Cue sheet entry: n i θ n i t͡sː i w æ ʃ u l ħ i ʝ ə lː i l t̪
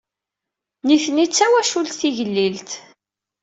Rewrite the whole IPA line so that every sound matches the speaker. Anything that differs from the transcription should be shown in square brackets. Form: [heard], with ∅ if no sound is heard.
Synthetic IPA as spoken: n i θ n i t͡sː [æ] w æ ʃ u l [θ] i ʝ ə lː i l t̪